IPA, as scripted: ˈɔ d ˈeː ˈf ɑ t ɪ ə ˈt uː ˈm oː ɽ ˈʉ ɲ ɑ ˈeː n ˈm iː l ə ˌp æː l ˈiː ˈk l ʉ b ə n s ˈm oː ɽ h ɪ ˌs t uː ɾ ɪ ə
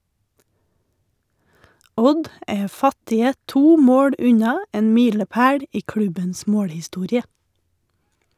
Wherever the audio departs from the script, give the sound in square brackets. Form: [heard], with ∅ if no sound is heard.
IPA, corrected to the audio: ˈɔ d ˈeː ˈf ɑ t ɪ ə ˈt uː ˈm oː ɽ ˈʉ ɲ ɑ ˈeː n ˈm iː l ə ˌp æː [ɽ] ˈiː ˈk [ɽ] ʉ b ə n s ˈm oː ɽ h ɪ ˌs t uː ɾ ɪ ə

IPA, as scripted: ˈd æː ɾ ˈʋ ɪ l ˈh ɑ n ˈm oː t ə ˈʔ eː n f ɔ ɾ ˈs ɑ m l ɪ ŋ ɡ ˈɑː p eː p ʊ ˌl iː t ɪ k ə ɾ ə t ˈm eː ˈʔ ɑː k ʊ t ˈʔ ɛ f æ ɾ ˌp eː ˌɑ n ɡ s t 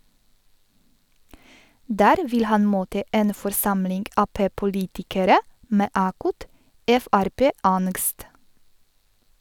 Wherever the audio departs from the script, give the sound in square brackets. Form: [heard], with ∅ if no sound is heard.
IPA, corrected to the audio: ˈd æː ɾ ˈʋ ɪ l ˈh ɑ n ˈm oː t ə ˈʔ eː n f ɔ ɾ ˈs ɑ m l ɪ ŋ ɡ ˈɑː p eː p ʊ ˌl iː t ɪ k ə ɾ ə [∅] ˈm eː ˈʔ ɑː k ʊ t ˈʔ ɛ f æ ɾ ˌp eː ˌɑ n ɡ s t

